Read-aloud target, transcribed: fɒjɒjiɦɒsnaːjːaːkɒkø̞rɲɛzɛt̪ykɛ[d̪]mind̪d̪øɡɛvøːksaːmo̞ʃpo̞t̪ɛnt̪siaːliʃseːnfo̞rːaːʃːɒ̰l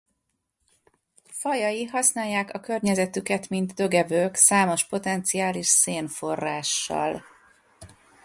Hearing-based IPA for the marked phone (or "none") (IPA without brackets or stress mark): t̪